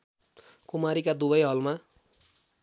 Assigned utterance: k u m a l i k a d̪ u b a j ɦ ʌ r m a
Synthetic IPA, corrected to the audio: k u m a ɾ i k a d̪ u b ʌ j ɦ ʌ l m a

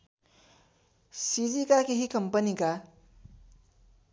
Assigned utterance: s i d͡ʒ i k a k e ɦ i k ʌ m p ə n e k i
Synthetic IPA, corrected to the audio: s i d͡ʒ i k a k e ɦ i k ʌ m p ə n i k a

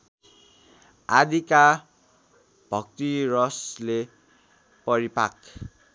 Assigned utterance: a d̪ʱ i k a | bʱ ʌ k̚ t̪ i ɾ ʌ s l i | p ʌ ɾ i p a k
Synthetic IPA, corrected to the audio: a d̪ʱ i k a | bʱ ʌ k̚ t̪ i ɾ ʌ s l e | p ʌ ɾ i p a k

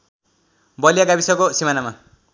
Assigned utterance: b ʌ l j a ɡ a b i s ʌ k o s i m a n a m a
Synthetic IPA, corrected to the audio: b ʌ l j a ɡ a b i s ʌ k o s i m a n a m a

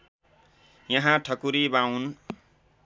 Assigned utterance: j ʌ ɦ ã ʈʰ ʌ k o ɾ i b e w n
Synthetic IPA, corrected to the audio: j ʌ ɦ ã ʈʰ ʌ k u ɾ i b a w n

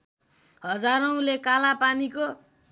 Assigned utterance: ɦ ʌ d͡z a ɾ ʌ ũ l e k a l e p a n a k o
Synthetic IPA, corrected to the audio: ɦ ʌ d͡z a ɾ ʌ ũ l e k a l a p a n i k o

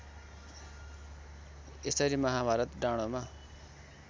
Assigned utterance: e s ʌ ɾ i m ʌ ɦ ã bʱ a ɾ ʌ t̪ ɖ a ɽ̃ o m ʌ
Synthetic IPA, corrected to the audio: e s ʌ ɾ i m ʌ ɦ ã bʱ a ɾ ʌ t̪ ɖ a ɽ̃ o m a

